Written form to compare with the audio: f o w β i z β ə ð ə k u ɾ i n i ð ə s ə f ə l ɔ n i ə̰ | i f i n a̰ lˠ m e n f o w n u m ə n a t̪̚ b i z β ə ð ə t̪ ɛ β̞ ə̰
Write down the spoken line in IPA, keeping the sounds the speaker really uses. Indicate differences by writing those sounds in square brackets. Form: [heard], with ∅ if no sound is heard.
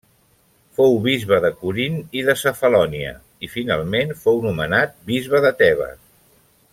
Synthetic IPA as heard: f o w β i z β ə ð ə k u ɾ i n i ð ə s ə f ə l ɔ n i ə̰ | i f i n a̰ lˠ m e n f o w n u m ə n a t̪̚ b i z β ə ð ə t̪ ɛ β̞ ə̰